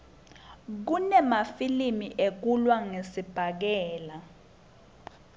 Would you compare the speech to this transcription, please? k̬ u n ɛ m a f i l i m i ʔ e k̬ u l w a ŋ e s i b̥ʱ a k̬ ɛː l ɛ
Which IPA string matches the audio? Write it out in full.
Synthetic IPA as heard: k̬ u n ɛ m a f i l i m i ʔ e k̬ u l w a ŋ e s i b̥ʱ a k̬ ɛː l a